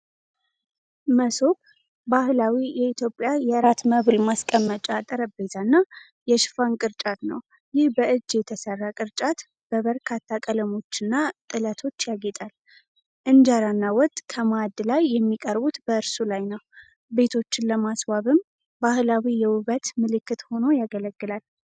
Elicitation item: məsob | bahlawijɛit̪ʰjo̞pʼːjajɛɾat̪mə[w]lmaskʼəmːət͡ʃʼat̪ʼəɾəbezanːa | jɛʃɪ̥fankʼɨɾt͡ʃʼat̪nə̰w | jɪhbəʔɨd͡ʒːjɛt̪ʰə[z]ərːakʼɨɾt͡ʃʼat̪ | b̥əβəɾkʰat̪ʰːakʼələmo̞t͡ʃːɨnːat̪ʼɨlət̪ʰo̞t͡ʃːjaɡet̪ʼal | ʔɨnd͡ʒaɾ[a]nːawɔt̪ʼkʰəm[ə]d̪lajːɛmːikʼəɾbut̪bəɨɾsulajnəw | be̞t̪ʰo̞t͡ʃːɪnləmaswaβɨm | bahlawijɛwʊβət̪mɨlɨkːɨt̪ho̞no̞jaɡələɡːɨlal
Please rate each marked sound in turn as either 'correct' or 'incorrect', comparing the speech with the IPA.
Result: incorrect: β, incorrect: s, correct, incorrect: a

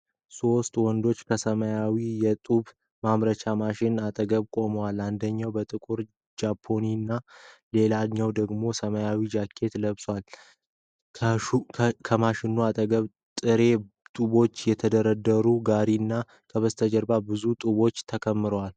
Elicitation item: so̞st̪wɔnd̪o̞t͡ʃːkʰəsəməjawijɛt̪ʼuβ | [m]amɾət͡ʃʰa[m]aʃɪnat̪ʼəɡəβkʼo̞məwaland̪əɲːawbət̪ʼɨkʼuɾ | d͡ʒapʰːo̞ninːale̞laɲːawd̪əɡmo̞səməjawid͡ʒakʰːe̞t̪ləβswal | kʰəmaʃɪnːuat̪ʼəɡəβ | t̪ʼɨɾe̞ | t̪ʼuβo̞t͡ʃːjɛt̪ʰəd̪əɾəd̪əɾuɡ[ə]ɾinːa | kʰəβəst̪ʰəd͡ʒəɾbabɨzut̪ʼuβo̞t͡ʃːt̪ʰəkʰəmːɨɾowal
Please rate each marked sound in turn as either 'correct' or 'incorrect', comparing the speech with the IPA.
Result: correct, correct, incorrect: a

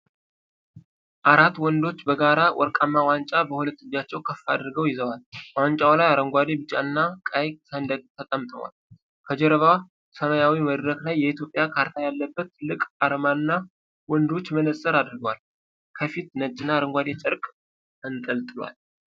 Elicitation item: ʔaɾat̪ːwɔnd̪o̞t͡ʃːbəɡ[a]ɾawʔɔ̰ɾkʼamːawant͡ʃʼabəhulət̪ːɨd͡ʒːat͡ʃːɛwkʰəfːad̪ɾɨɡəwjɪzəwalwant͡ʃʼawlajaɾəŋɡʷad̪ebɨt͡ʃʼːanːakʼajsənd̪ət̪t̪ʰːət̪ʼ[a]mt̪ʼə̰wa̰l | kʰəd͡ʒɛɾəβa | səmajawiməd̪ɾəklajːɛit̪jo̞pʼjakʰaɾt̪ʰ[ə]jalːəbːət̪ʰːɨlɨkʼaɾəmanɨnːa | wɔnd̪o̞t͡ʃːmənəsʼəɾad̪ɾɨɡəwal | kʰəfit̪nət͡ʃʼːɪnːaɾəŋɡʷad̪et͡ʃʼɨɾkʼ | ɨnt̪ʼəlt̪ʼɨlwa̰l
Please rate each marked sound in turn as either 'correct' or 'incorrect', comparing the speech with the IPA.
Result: correct, incorrect: ə, incorrect: a

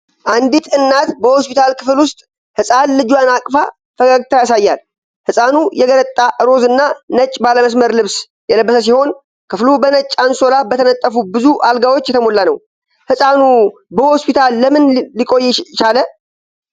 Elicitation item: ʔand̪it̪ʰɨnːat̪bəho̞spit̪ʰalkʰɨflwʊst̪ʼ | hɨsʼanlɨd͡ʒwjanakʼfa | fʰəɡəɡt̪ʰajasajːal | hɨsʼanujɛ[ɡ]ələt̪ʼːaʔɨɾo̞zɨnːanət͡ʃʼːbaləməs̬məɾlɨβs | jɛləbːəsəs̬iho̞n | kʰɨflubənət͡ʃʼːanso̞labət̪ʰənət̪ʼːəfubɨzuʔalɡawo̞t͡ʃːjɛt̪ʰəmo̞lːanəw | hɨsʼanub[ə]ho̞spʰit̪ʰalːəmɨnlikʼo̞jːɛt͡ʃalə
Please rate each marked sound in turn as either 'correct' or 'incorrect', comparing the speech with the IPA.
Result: correct, correct

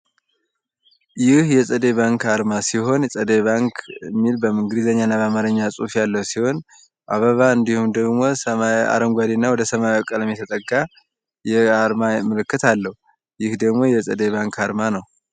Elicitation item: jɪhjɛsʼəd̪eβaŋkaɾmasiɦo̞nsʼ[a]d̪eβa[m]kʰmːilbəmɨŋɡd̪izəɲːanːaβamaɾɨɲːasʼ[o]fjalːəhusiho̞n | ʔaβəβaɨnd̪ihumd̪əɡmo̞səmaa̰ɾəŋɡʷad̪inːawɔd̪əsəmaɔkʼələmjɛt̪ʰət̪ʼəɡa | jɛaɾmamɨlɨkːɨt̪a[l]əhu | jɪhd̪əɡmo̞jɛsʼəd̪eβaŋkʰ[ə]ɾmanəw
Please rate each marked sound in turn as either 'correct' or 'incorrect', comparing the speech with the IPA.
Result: incorrect: ə, incorrect: ŋ, incorrect: u, incorrect: lː, incorrect: a

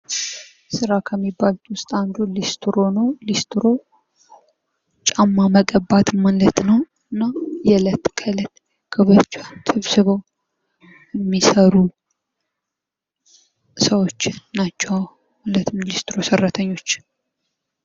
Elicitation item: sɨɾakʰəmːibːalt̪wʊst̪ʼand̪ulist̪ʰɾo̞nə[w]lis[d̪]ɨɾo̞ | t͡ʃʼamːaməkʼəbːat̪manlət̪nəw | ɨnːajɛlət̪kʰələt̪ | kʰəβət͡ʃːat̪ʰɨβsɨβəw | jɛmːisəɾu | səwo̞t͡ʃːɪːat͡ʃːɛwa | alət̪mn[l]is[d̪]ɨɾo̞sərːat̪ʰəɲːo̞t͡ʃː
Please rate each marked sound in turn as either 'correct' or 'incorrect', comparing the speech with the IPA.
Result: correct, incorrect: t̪, correct, incorrect: t̪

